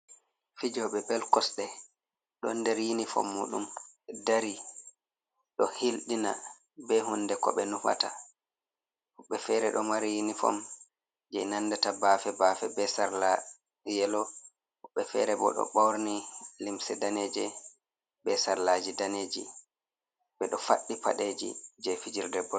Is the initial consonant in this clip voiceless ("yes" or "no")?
yes